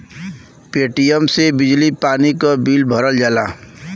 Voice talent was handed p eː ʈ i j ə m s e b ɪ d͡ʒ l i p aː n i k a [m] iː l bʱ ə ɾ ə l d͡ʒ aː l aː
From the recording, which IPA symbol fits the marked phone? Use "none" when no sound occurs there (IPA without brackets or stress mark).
b